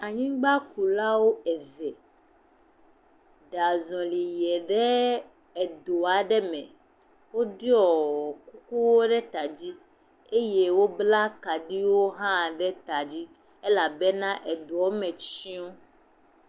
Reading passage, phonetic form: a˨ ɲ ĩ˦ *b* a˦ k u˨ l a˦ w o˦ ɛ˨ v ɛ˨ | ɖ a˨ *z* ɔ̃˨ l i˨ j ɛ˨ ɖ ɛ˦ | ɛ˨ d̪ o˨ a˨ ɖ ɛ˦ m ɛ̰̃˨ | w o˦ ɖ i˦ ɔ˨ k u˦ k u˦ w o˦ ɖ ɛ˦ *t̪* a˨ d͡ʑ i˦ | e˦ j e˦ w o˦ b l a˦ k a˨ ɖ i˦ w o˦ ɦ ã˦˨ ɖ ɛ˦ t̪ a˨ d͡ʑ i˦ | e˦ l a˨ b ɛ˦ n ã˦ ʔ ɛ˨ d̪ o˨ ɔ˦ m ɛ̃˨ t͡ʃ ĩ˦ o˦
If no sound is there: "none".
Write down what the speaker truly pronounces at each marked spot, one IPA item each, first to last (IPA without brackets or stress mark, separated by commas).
ɡ͡b, z, t̪